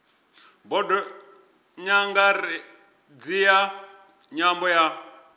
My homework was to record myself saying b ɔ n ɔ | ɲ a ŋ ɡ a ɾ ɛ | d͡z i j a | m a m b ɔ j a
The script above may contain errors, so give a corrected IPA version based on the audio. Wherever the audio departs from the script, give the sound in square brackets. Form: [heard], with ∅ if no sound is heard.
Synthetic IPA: b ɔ [d] ɔ | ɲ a ŋ ɡ a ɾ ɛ | d͡z i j a | [ɲ] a m b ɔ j a